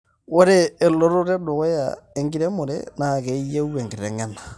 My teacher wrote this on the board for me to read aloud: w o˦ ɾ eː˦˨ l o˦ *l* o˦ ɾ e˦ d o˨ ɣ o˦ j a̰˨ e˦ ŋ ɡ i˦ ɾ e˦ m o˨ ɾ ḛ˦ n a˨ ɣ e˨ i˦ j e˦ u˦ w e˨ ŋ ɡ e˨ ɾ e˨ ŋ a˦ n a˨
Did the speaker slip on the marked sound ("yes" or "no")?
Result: yes